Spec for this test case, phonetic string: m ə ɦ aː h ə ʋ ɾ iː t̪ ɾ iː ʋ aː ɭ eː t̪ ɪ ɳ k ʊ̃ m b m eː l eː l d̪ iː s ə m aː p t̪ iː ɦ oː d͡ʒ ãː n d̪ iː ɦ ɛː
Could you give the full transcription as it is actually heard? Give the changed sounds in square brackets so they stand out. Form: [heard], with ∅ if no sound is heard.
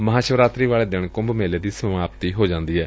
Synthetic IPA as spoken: m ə ɦ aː [ʃ] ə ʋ ɾ [aː] t̪ ɾ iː ʋ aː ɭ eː [d̪] ɪ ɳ k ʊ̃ m b m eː l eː [∅] d̪ iː s ə m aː p t̪ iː ɦ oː d͡ʒ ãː n d̪ iː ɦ ɛː